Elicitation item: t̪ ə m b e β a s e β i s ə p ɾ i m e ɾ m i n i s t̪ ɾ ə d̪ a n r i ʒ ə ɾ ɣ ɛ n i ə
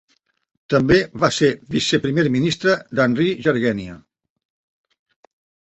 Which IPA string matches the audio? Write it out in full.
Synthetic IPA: t̪ ə m b e β a s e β i s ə p ɾ i m e ɾ m i n i s t̪ ɾ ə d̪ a n r i ʒ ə ɾ ɣ ɛ n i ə